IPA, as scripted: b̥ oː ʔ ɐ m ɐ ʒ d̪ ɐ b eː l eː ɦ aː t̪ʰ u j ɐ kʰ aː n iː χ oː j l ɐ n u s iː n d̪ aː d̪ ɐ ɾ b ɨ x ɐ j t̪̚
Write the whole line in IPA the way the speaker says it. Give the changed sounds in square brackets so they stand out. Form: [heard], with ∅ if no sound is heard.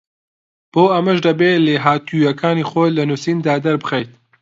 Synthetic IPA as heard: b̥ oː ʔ ɐ m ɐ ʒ d̪ ɐ b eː l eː ɦ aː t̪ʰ u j ɐ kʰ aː n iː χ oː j l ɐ n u s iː n d̪ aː d̪ ɐ ɾ b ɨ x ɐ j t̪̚